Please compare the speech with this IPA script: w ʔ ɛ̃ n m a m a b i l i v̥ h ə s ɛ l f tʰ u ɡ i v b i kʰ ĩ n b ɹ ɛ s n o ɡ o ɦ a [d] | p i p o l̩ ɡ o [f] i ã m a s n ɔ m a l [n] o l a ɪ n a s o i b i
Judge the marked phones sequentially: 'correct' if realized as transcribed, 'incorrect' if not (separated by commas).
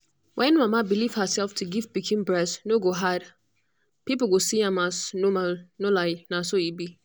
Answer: correct, incorrect, correct